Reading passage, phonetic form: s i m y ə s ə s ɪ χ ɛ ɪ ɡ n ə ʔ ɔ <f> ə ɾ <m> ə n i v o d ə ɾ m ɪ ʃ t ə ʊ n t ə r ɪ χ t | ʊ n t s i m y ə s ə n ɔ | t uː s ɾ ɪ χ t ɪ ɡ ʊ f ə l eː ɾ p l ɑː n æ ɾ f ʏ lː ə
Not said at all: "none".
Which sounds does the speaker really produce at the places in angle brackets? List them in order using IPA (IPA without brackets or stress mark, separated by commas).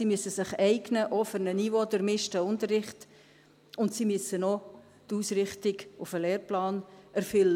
f, n